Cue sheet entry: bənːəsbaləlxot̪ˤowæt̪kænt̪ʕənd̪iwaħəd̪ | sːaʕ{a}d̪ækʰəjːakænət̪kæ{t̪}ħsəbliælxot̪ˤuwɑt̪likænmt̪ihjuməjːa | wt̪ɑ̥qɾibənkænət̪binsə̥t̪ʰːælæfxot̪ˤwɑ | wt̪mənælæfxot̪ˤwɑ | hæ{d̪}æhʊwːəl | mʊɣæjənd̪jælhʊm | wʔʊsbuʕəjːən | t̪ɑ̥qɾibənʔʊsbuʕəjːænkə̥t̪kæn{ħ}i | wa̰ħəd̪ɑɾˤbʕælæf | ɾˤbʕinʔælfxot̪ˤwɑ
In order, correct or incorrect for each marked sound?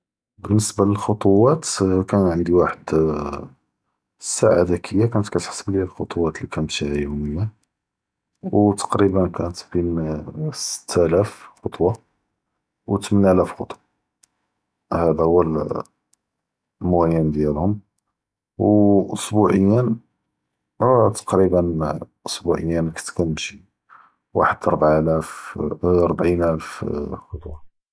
correct, correct, correct, incorrect

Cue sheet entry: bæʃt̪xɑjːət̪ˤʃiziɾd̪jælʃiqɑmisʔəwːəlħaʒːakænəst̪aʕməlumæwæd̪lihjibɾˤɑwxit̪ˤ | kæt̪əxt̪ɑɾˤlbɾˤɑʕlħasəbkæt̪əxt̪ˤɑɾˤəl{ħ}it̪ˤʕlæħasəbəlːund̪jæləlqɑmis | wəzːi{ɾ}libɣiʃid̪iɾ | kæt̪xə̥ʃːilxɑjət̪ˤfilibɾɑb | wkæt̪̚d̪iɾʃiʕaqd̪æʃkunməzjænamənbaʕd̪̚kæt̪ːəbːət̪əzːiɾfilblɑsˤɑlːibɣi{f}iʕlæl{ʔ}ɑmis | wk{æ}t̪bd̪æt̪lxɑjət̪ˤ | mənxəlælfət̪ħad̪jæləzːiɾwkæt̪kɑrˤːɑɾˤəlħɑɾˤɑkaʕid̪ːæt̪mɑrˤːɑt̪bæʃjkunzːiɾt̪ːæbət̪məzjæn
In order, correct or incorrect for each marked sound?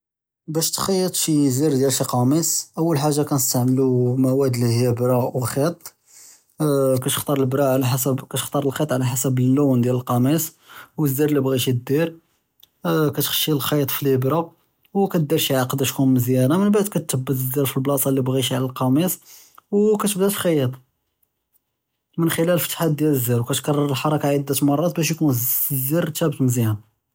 incorrect, correct, incorrect, incorrect, correct

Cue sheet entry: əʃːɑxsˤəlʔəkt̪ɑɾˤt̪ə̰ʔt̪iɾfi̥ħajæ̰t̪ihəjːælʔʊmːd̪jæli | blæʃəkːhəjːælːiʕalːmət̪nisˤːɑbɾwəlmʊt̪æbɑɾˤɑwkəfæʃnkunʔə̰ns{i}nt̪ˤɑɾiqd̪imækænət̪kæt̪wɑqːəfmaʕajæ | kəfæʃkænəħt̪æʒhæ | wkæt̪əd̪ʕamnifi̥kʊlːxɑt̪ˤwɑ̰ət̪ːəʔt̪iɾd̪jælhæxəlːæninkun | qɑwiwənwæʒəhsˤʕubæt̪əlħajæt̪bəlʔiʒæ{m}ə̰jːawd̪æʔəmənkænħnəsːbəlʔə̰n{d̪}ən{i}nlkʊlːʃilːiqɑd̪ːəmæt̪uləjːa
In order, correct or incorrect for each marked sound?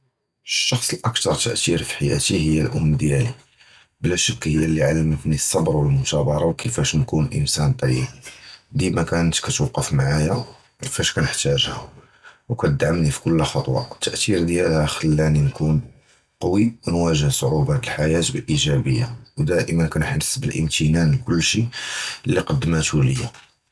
incorrect, incorrect, incorrect, incorrect

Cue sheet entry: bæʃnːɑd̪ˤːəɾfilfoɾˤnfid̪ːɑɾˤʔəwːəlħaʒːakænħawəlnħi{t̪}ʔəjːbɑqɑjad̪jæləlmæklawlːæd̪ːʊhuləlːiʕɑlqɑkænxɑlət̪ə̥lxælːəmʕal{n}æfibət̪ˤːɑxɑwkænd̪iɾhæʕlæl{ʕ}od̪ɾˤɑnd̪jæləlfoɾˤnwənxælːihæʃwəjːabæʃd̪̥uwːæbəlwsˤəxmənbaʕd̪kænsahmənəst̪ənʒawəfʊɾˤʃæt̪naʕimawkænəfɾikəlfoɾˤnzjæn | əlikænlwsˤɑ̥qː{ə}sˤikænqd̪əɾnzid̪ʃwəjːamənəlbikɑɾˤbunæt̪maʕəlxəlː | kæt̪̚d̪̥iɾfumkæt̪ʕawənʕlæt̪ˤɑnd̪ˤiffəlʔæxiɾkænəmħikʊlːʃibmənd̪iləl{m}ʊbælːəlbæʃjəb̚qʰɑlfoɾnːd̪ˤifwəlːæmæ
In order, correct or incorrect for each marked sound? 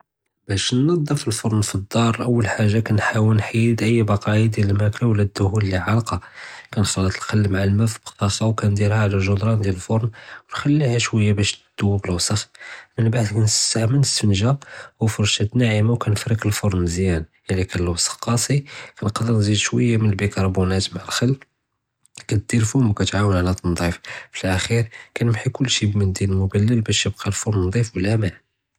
incorrect, incorrect, incorrect, incorrect, correct

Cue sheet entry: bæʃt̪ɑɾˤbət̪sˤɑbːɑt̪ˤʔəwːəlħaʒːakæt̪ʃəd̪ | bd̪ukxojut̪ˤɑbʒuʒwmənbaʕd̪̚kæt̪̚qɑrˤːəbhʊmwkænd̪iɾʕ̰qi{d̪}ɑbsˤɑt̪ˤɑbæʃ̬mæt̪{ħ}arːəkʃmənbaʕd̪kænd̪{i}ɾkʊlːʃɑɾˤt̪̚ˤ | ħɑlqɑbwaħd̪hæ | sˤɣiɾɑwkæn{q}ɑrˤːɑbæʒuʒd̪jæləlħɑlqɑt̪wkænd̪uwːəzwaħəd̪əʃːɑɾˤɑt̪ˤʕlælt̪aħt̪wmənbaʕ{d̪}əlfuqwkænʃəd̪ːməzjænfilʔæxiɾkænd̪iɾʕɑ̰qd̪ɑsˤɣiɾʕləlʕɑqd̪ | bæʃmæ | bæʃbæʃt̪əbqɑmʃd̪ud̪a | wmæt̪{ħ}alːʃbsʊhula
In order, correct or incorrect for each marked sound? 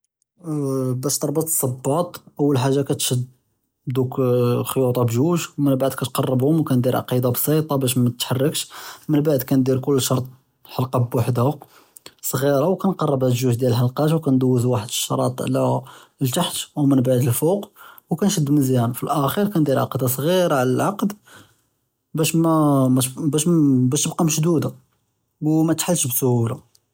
correct, correct, correct, correct, correct, correct

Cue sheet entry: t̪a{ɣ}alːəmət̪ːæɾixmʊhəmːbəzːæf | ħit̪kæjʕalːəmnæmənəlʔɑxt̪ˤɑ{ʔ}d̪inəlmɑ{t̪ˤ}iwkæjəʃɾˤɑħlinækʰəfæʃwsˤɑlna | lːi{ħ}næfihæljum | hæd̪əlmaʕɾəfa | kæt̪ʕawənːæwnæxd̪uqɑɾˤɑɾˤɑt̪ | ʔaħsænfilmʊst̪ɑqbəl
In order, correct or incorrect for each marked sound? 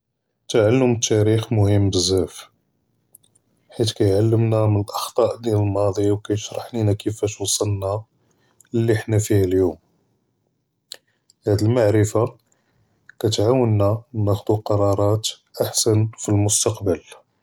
incorrect, correct, incorrect, correct

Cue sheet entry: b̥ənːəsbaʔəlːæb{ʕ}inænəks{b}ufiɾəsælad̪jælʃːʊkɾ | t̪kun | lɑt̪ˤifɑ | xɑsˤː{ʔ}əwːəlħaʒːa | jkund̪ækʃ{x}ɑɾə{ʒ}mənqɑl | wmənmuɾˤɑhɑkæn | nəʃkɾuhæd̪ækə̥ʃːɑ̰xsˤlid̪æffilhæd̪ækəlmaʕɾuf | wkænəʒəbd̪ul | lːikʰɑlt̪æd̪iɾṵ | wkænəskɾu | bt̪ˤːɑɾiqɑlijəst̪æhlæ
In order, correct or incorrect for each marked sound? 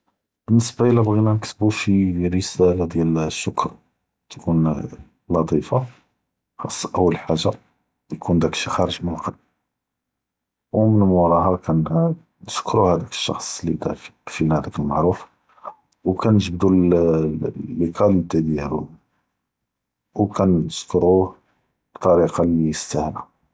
incorrect, correct, correct, correct, correct

